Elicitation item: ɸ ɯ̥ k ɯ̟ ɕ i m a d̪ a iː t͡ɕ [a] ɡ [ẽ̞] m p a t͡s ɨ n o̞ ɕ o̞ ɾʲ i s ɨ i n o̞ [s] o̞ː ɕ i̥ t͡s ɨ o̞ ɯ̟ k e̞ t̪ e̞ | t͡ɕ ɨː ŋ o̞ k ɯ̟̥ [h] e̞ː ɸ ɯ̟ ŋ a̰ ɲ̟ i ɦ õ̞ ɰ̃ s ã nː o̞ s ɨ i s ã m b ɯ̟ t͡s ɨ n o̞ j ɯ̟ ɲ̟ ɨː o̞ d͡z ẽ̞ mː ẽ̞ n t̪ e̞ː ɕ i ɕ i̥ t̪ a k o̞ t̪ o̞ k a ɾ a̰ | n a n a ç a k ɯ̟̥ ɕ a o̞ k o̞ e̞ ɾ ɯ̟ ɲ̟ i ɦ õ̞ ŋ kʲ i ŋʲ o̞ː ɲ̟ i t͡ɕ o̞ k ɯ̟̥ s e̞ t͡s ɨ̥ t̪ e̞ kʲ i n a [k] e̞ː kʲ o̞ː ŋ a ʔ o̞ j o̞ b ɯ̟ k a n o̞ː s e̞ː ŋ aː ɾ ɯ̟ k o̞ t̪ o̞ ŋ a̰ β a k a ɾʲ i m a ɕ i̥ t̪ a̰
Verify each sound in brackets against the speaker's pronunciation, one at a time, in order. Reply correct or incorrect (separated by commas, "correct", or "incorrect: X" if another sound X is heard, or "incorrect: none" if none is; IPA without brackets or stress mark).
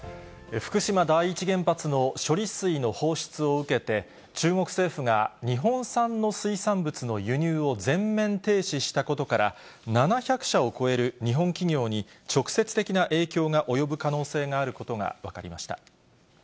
incorrect: i, correct, incorrect: h, incorrect: s, incorrect: ʔ